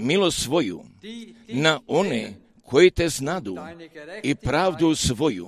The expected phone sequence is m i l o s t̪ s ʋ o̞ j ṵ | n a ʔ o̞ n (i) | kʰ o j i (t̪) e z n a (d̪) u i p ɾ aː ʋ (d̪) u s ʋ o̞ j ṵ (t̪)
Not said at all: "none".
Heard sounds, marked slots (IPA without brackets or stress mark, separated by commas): e, t̪, d̪, d̪, none